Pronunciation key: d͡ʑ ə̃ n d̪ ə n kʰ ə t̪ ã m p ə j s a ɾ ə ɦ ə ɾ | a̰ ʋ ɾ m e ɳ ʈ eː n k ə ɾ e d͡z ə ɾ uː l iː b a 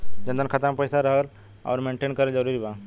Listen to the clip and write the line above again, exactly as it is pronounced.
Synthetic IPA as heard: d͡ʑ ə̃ n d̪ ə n kʰ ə t̪ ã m p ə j s a ɾ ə ɦ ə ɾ | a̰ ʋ ɾ m e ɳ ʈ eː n k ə ɾ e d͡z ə ɾ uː ɾ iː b a